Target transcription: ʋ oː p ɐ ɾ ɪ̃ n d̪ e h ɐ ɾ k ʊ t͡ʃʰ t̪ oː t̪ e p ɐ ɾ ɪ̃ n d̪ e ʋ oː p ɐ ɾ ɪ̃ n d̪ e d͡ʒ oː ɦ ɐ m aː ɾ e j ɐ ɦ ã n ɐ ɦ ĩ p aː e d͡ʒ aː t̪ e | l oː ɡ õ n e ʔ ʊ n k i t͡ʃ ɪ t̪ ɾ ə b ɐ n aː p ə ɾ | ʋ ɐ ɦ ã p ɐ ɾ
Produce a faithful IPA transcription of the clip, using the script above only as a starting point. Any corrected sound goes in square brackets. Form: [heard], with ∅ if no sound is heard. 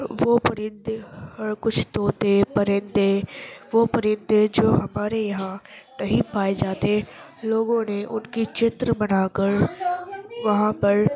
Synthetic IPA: ʋ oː p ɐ ɾ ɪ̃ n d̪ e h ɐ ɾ k ʊ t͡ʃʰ t̪ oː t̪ e p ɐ ɾ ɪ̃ n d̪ e ʋ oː p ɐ ɾ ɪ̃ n d̪ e d͡ʒ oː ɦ ɐ m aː ɾ e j ɐ ɦ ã n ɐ ɦ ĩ p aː e d͡ʒ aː t̪ e | l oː ɡ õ n e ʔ ʊ n k i t͡ʃ ɪ t̪ ɾ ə b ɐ n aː [k] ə ɾ | ʋ ɐ ɦ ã p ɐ ɾ